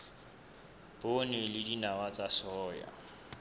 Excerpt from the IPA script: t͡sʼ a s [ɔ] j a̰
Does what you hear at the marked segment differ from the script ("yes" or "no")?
yes